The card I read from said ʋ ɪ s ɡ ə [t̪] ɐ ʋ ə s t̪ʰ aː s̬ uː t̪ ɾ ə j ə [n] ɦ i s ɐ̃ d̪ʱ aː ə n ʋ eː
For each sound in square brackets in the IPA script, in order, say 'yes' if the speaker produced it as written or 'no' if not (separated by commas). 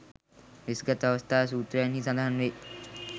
yes, yes